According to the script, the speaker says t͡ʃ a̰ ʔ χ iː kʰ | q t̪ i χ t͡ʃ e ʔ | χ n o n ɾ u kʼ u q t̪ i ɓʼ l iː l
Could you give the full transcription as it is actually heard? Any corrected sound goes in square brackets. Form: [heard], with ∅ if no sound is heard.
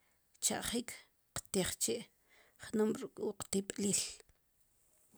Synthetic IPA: t͡ʃ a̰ ʔ χ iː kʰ | q t̪ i χ t͡ʃ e ʔ | χ n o [m] ɾ u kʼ u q t̪ i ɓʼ l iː l